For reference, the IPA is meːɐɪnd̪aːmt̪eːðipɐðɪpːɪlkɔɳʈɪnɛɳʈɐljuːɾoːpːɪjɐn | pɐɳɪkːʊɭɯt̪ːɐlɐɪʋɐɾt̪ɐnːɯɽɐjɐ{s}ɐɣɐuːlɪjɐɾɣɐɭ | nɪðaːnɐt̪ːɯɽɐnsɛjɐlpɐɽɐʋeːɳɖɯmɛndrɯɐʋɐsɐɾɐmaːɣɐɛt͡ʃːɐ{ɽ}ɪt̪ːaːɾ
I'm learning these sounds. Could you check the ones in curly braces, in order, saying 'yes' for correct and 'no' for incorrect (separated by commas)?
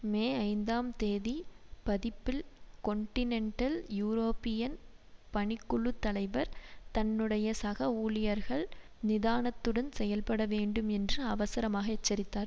yes, no